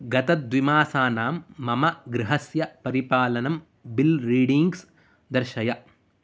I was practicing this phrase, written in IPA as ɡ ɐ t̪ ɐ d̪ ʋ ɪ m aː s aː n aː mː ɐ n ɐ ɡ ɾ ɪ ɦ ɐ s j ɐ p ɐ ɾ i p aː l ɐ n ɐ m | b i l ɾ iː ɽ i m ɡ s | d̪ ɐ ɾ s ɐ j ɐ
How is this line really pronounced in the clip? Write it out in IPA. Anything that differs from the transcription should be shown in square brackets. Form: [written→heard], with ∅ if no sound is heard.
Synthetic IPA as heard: ɡ ɐ t̪ ɐ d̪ ʋ [ɪ→i] m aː s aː n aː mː ɐ [n→m] ɐ ɡ ɾ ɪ ɦ ɐ s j ɐ p ɐ ɾ i p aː l ɐ n ɐ m | b i l ɾ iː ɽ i [m→ŋ] ɡ s | d̪ ɐ ɾ [s→ʃ] ɐ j ɐ